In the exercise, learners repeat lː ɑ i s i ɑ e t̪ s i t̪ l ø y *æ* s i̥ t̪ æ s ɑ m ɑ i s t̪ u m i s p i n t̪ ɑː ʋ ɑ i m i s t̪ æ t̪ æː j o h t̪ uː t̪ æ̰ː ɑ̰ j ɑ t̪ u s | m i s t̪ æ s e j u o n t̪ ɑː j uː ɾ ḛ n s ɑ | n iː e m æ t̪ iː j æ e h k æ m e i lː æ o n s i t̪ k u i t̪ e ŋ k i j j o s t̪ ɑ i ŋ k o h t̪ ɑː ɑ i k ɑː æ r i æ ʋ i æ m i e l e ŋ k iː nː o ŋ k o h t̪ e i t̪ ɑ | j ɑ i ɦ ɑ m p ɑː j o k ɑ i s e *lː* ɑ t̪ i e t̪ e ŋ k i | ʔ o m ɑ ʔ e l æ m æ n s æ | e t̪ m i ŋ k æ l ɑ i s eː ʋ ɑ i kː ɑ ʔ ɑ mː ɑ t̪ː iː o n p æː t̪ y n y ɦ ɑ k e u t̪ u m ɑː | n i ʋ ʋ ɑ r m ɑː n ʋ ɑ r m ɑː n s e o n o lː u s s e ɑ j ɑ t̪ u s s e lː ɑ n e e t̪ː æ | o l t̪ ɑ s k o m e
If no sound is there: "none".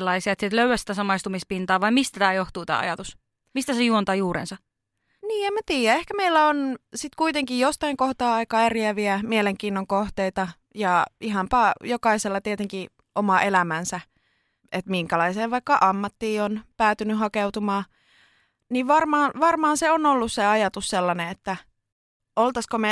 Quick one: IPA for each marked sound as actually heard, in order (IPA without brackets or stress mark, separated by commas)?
æ, lː